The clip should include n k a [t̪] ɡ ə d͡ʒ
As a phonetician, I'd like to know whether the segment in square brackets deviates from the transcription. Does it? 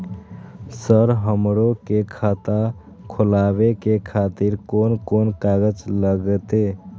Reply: yes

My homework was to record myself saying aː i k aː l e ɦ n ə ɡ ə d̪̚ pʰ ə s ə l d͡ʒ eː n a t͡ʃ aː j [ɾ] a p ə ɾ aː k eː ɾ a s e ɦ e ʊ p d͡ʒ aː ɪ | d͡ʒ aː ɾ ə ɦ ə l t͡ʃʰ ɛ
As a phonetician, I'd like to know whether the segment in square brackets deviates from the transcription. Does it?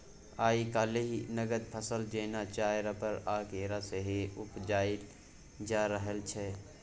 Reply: no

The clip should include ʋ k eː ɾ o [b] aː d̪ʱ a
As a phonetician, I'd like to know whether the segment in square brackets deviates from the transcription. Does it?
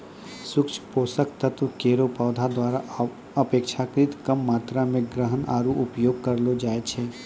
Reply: yes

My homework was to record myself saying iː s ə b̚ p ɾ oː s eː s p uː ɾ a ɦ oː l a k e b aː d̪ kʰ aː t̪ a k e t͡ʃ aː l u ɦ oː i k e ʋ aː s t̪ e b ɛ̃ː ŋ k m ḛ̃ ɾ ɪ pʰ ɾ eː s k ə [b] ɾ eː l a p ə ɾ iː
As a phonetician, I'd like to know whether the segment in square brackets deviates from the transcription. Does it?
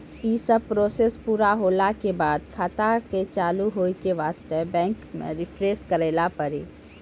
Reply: yes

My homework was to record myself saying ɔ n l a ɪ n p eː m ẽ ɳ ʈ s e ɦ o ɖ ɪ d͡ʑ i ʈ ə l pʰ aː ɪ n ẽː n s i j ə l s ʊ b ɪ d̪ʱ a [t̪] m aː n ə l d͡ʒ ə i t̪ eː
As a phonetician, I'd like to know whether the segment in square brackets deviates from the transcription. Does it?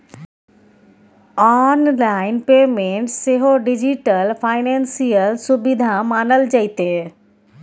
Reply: yes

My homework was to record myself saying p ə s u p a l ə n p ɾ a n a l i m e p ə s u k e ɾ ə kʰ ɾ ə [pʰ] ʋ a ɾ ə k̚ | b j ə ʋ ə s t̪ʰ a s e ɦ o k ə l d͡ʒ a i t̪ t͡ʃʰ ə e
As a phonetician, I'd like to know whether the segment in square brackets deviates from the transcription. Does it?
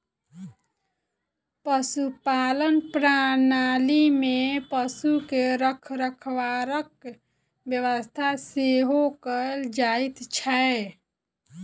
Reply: yes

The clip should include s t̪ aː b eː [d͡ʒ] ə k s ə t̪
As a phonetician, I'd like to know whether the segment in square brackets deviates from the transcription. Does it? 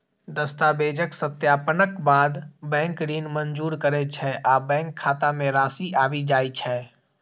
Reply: no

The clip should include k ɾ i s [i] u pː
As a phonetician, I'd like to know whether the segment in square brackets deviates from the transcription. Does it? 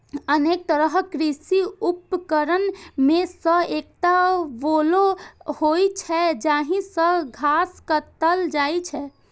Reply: no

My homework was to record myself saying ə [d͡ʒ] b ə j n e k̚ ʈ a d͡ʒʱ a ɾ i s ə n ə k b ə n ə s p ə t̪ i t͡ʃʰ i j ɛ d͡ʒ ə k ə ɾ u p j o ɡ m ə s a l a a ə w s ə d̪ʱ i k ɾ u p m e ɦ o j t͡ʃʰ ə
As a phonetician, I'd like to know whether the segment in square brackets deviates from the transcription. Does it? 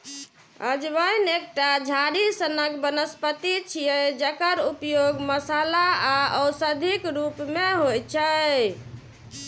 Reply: no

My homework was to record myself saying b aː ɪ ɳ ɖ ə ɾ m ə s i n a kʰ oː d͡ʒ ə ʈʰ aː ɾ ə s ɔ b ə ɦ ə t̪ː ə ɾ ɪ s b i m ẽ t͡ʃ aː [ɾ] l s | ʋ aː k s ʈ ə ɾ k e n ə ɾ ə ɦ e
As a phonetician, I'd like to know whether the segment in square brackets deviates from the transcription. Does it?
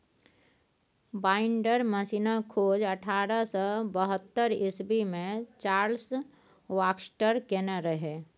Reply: no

